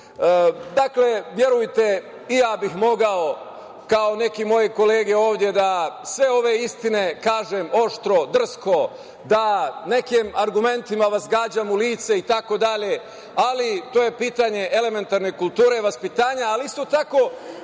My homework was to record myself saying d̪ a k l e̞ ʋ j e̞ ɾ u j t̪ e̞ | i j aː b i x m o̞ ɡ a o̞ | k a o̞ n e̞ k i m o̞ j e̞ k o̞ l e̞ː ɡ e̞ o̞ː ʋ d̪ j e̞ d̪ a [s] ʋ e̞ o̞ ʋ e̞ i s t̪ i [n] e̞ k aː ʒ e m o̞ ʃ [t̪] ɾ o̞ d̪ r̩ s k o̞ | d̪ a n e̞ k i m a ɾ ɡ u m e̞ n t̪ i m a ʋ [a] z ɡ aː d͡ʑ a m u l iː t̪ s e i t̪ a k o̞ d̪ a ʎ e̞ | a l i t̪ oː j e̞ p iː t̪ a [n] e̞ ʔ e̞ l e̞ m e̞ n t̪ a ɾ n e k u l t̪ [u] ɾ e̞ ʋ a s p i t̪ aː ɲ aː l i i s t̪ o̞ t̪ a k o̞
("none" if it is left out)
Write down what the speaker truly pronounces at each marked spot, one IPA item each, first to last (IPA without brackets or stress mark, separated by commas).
s, n, t̪, a, ɲ, uː